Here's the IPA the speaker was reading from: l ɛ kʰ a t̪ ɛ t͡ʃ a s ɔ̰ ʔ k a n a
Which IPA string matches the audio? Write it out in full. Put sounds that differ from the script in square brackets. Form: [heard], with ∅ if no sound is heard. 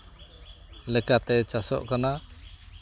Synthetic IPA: l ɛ [k] a t̪ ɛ t͡ʃ a s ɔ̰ ʔ k a n a